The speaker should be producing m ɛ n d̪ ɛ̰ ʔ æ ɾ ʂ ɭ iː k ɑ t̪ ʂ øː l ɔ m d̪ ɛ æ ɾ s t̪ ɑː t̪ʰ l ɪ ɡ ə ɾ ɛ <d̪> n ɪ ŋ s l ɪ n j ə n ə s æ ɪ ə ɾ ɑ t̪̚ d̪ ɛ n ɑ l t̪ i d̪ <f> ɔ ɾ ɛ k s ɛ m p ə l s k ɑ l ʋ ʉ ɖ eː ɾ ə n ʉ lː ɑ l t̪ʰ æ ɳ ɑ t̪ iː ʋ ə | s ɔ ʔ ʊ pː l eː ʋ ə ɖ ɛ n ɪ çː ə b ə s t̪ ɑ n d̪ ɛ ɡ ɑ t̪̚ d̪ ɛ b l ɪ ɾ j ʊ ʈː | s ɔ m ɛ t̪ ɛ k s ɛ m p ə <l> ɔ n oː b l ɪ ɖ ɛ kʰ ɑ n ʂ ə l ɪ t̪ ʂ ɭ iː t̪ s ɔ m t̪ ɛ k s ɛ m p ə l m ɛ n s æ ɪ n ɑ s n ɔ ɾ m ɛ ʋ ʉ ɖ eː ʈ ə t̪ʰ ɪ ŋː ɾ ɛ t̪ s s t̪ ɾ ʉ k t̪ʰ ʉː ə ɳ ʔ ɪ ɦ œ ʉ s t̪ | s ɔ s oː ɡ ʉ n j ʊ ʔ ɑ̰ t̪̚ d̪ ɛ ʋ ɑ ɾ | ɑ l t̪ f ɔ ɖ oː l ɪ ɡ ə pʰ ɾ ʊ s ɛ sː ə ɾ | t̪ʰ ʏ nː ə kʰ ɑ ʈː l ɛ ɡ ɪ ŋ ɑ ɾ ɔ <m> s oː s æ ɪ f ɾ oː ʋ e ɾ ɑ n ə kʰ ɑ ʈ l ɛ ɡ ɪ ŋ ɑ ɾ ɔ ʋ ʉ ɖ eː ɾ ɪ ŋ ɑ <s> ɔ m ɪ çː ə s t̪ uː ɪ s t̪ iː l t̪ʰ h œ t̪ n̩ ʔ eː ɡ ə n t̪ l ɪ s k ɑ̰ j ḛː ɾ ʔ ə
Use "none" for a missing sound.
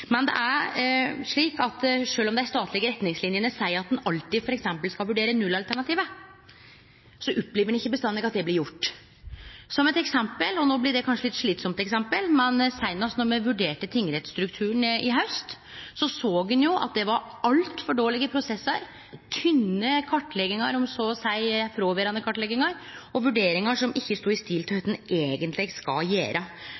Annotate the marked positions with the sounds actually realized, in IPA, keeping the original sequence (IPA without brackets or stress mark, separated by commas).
t̪, f, l, m, ʂ